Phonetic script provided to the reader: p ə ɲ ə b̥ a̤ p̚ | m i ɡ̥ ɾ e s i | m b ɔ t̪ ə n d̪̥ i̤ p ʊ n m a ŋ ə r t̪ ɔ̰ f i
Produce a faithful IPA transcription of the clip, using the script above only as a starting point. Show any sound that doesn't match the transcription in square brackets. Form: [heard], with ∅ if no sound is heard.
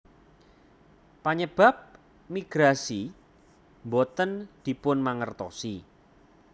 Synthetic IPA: p [a] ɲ ə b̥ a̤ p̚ | m i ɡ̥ ɾ [a] s i | m b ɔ t̪ ə n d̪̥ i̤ p ʊ n m a ŋ ə r t̪ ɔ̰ [s] i